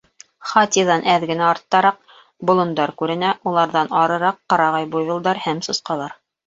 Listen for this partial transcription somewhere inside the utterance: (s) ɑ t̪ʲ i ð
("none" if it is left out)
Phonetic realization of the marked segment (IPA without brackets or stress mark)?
χ